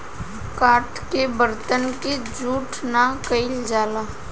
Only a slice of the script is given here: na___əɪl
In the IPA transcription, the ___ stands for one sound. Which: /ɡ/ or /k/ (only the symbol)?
k